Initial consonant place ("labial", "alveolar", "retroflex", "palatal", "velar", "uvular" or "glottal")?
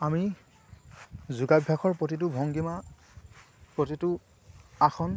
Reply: labial